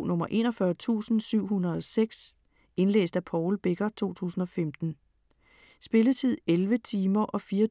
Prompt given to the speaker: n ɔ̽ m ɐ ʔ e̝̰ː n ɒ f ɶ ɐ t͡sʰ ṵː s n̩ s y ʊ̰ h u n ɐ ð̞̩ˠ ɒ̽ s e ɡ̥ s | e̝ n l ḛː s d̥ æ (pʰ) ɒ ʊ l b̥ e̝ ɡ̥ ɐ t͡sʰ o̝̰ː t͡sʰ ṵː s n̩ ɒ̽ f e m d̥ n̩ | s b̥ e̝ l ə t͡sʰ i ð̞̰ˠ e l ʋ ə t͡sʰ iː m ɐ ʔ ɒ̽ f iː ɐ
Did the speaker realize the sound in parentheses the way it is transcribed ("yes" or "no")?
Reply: yes